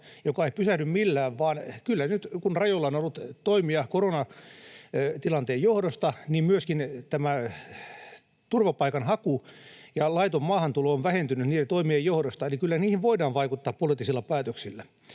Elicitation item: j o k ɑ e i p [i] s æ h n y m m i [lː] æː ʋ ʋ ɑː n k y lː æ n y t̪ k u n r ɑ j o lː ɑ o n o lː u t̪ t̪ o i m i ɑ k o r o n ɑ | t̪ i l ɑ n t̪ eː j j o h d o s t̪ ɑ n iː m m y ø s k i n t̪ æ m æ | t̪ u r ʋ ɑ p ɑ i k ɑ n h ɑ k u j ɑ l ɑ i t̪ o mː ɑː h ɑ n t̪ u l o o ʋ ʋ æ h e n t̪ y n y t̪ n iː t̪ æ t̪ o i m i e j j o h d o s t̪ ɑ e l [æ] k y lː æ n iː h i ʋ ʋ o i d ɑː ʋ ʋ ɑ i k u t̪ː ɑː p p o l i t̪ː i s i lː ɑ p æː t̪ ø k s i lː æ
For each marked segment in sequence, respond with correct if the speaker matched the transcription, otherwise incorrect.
incorrect: y, correct, incorrect: i

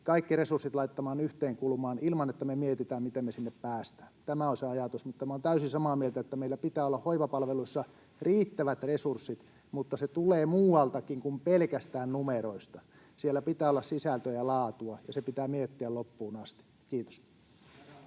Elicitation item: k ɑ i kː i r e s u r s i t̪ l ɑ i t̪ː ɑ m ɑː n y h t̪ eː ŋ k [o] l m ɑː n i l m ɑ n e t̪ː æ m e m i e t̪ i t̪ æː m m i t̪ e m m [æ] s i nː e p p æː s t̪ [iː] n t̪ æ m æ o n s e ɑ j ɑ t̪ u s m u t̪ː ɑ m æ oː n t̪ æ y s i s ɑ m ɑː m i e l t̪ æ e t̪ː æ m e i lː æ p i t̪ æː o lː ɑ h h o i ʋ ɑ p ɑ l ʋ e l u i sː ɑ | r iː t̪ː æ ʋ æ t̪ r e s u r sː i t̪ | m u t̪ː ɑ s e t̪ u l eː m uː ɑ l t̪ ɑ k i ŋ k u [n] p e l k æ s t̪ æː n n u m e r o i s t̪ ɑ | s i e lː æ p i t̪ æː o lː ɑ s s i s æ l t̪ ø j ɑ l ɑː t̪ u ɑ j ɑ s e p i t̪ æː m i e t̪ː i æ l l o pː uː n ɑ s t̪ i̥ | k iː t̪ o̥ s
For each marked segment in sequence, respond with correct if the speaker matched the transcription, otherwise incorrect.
incorrect: u, incorrect: e, incorrect: æː, incorrect: m

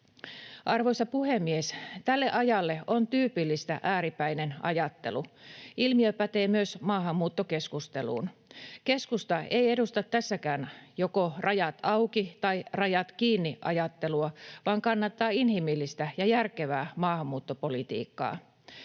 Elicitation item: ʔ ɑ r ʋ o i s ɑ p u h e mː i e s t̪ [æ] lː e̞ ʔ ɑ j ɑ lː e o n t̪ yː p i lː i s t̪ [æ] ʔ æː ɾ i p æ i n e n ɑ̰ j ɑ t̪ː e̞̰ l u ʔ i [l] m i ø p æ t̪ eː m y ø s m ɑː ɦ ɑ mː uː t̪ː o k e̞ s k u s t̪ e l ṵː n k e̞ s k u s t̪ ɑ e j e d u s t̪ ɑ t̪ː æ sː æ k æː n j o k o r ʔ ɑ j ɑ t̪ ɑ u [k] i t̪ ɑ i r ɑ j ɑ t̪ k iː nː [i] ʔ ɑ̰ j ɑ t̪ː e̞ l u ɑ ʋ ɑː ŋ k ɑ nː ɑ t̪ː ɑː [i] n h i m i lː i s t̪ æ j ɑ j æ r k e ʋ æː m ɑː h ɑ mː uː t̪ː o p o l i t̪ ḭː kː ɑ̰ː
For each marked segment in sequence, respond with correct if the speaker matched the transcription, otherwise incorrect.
correct, correct, correct, correct, correct, correct

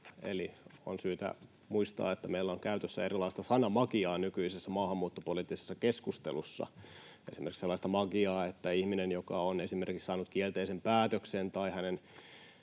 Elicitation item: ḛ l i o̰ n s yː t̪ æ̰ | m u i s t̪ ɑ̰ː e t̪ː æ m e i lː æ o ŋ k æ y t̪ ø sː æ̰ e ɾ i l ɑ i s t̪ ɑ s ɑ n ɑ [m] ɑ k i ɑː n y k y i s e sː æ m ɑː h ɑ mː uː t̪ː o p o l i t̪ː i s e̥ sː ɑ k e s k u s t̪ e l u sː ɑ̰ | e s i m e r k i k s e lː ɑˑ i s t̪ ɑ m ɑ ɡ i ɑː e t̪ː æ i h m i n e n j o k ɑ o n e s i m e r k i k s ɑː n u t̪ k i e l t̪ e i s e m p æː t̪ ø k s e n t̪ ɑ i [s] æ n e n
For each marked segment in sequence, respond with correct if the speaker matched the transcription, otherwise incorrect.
correct, incorrect: h

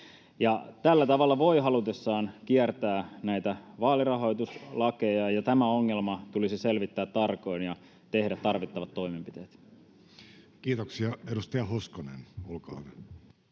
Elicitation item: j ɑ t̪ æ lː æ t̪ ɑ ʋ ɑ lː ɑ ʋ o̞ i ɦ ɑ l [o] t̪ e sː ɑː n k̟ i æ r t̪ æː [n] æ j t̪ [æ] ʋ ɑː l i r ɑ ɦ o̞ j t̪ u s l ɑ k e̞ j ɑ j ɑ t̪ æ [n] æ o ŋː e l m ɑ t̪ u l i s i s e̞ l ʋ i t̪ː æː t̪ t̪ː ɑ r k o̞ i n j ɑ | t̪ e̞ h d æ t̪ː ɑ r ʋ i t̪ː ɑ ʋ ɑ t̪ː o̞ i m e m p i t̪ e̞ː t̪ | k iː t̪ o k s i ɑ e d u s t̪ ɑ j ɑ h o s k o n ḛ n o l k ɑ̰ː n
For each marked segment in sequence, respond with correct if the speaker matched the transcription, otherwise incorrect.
incorrect: u, correct, correct, incorrect: m

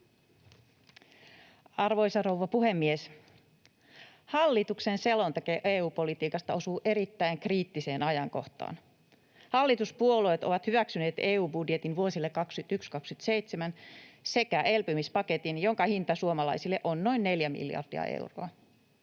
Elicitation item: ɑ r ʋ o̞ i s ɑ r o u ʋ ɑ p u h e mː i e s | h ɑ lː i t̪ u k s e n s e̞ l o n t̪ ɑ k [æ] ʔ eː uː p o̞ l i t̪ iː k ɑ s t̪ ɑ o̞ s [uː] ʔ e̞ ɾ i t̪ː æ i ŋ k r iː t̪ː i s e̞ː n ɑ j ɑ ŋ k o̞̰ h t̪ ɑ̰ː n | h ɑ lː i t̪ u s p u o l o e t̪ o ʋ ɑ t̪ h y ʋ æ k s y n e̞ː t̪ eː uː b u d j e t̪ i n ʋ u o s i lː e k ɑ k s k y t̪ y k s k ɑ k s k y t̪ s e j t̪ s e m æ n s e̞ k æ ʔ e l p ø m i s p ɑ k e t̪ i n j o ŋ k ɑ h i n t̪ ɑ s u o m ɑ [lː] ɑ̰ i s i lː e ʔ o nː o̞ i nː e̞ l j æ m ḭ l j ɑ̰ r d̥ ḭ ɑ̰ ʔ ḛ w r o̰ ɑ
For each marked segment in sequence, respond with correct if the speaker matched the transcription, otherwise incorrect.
incorrect: e, correct, incorrect: l

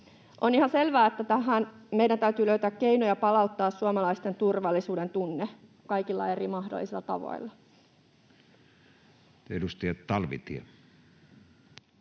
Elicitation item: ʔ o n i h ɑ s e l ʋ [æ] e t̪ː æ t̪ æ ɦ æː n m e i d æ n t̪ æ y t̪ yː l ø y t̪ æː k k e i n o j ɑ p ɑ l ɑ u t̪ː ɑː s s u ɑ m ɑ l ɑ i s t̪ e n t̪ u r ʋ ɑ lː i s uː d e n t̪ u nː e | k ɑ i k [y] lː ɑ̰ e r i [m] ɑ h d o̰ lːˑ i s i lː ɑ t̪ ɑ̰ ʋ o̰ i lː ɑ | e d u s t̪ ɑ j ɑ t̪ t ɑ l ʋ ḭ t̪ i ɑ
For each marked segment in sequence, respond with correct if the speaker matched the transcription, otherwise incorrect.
incorrect: æː, incorrect: i, correct

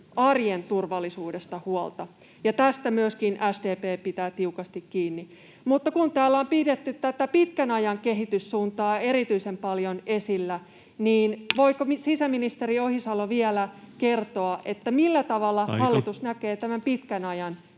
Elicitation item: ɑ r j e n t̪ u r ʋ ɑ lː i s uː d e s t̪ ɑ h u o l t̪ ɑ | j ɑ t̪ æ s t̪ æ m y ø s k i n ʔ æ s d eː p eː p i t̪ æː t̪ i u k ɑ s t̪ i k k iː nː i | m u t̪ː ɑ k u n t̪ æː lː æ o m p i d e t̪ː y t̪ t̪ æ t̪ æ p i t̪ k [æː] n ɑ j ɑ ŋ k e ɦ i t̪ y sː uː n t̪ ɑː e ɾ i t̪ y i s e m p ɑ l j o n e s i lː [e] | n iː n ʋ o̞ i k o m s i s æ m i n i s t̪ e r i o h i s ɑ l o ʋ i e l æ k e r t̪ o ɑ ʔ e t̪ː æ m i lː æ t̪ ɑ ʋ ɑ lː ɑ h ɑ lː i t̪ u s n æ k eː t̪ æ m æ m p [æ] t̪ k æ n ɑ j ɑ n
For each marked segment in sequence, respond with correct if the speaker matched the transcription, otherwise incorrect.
incorrect: æ, incorrect: æ, incorrect: i

